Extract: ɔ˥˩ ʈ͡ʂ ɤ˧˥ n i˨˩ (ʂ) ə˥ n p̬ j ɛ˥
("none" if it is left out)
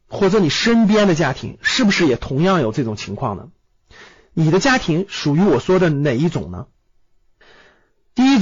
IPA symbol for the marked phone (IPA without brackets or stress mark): ʂ